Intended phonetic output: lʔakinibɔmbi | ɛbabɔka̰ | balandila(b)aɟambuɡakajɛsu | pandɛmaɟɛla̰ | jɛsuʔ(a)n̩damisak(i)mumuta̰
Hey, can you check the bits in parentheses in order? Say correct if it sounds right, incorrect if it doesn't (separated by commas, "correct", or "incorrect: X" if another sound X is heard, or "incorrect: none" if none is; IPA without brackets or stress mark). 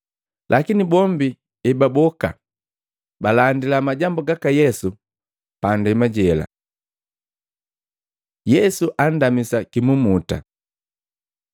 incorrect: m, correct, correct